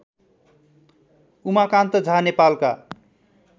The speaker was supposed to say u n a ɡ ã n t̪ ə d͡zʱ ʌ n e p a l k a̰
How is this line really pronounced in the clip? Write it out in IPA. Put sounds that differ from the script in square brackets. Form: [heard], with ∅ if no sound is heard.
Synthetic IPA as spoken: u [m] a [k] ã n t̪ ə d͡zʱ [a] n e p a l k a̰